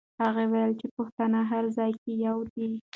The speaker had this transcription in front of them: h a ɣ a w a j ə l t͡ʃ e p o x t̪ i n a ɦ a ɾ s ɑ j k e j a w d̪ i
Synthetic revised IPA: h a ɣ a w a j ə l t͡ʃ e p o x t̪ a n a ɦ a ɾ z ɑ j k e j a w d̪ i